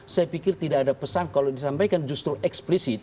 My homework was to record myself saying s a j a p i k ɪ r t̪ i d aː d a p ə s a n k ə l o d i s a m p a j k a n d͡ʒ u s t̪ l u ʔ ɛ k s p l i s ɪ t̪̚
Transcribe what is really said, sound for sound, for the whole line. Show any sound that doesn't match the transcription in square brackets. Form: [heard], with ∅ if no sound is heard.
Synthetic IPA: s a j a p i k ɪ r t̪ i d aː d a p ə s a n k [a] l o d i s a m p a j k a n d͡ʒ u s t̪ [ɾ] u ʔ ɛ k s p l i s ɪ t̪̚